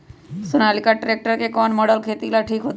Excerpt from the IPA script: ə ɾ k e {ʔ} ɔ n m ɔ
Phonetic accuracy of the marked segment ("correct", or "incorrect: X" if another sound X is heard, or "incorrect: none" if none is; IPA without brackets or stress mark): incorrect: k